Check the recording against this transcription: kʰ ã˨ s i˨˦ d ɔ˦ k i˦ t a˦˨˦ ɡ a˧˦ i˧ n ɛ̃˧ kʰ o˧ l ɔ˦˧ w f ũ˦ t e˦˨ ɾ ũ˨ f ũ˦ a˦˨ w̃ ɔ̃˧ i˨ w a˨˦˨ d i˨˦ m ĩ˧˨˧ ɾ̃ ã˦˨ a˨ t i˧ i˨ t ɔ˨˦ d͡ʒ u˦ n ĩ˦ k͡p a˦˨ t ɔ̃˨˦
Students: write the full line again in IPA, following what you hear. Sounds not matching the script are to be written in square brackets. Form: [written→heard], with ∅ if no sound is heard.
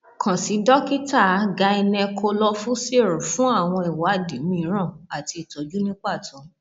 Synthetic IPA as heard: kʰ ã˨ s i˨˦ d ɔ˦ k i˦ t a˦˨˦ ɡ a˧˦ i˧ n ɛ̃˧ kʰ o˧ l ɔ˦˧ [w→∅] f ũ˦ [t→s] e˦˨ ɾ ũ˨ f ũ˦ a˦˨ w̃ ɔ̃˧ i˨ w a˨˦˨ d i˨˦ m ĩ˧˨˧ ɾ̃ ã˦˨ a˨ t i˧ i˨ t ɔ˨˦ d͡ʒ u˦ n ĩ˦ k͡p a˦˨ t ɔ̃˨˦